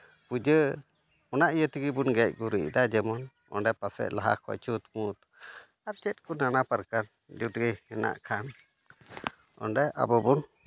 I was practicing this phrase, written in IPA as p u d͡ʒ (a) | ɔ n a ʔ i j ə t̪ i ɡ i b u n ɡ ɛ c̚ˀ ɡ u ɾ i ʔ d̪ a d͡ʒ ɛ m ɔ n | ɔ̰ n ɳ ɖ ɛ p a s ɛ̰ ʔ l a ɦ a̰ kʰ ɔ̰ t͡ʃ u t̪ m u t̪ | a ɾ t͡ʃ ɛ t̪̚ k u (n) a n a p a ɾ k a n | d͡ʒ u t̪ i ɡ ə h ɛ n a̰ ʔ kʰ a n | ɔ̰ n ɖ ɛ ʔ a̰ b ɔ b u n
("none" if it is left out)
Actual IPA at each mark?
ə, n

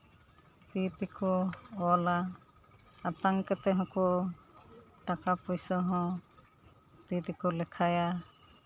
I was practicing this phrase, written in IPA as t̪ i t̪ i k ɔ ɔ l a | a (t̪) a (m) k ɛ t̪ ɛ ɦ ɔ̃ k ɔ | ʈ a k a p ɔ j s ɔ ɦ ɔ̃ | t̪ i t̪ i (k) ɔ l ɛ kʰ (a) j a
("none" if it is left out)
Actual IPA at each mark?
t̪, ŋ, k, a

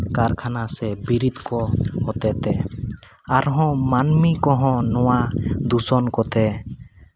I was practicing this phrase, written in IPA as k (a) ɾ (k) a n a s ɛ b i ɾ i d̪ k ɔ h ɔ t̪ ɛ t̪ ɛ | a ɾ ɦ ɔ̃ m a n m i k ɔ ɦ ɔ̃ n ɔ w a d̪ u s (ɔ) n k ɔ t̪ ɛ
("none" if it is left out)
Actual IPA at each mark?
a, kʰ, ɔ

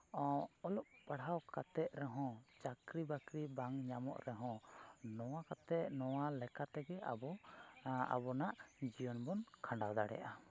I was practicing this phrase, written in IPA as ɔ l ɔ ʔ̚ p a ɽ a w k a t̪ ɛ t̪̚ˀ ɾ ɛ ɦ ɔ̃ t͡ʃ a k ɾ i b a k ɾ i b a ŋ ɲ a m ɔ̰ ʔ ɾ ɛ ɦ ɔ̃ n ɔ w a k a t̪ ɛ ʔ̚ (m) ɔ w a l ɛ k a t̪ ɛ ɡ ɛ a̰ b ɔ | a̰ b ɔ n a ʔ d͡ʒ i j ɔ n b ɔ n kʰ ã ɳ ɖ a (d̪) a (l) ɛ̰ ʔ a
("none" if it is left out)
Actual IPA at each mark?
n, d̪, ɽ

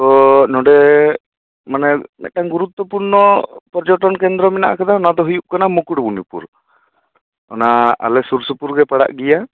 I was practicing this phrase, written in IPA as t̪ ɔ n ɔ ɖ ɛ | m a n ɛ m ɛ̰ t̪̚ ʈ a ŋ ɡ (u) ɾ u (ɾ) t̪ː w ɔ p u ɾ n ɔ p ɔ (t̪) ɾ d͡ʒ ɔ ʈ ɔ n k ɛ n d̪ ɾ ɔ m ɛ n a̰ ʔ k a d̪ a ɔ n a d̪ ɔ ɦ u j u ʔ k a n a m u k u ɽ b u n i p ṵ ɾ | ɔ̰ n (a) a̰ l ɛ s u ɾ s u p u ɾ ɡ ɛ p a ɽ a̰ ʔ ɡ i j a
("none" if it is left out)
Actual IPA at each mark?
u, none, none, a

